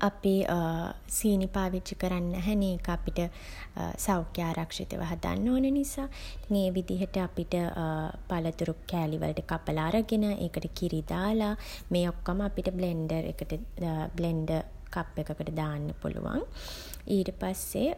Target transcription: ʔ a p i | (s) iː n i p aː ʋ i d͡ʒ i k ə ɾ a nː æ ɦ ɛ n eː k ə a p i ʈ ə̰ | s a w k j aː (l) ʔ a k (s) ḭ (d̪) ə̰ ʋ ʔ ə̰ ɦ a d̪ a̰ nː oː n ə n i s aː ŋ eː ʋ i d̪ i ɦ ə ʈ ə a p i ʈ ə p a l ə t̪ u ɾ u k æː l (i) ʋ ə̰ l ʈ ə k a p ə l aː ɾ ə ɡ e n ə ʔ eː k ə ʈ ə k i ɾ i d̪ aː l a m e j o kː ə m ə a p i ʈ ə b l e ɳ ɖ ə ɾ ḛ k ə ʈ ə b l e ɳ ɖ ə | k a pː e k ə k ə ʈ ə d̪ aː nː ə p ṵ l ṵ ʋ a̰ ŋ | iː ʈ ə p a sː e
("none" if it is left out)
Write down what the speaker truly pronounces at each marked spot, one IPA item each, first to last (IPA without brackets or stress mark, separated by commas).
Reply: s, ɾ, ʂ, t̪, i